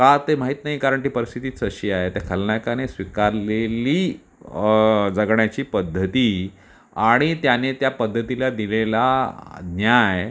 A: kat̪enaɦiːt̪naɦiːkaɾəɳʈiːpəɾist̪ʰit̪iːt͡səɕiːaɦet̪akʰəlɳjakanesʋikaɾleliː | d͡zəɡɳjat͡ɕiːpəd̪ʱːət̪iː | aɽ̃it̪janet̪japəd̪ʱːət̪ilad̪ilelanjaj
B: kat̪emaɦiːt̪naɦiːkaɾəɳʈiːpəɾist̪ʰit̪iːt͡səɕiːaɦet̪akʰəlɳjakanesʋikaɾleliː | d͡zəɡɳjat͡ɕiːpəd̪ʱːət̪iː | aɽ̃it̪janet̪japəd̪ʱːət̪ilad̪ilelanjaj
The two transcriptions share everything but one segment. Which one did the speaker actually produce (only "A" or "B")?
B